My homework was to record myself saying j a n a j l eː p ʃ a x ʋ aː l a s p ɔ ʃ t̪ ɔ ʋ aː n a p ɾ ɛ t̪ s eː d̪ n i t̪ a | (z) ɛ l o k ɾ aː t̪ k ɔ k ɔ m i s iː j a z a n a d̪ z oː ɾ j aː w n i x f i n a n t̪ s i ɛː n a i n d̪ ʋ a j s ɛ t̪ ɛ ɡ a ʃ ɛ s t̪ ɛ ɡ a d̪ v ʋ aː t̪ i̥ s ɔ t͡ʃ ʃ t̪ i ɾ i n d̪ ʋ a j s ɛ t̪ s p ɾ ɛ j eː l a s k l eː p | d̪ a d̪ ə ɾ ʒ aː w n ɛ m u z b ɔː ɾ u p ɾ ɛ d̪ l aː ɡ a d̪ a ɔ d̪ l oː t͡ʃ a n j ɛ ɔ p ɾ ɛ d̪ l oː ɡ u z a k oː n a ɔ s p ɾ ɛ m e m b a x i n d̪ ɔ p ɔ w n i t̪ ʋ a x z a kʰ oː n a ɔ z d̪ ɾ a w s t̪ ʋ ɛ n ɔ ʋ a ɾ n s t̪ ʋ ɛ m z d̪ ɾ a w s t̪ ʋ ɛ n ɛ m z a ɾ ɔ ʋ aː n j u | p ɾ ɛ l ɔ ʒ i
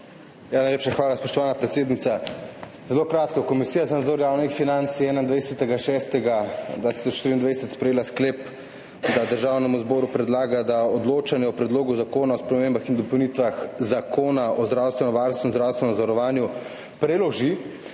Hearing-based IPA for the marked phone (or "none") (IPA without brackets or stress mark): z